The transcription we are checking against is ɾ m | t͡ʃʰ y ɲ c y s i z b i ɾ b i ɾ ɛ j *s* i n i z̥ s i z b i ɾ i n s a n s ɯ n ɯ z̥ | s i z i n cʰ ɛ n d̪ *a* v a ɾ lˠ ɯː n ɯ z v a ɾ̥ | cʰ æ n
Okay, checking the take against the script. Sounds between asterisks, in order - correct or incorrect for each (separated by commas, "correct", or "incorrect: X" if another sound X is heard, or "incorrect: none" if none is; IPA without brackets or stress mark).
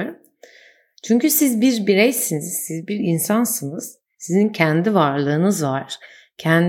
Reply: correct, incorrect: i